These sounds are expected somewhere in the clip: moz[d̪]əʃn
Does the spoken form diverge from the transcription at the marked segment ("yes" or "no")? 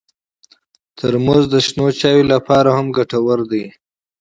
no